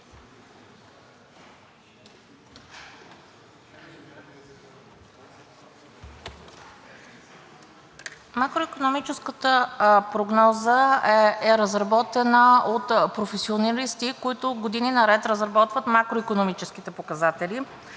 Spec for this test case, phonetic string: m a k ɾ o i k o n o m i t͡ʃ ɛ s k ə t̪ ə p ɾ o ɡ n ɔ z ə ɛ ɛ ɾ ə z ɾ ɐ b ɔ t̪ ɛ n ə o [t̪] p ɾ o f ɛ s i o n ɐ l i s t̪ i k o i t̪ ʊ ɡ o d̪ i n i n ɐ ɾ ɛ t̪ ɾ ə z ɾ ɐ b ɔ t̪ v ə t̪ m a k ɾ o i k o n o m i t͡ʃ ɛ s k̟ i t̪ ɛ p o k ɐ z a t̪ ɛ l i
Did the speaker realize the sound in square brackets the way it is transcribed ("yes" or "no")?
yes